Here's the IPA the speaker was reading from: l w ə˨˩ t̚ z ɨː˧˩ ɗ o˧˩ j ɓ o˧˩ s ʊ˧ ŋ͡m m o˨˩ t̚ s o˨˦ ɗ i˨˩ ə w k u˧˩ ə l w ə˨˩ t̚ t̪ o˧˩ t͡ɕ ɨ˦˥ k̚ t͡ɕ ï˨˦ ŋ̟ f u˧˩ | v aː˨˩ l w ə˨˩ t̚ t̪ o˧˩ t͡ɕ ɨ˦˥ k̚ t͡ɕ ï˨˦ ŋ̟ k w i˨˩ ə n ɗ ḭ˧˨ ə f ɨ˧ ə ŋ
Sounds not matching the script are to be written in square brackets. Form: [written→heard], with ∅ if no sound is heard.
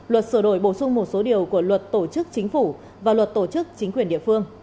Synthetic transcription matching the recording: l w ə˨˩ t̚ [z→s] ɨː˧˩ ɗ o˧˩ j ɓ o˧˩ s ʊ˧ ŋ͡m m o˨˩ t̚ s o˨˦ ɗ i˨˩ ə w k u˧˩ ə l w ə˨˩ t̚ t̪ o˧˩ t͡ɕ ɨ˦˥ k̚ t͡ɕ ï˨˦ ŋ̟ f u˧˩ | v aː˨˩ l w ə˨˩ t̚ t̪ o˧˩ t͡ɕ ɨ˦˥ k̚ t͡ɕ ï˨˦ ŋ̟ k w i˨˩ ə n ɗ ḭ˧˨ ə f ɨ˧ ə ŋ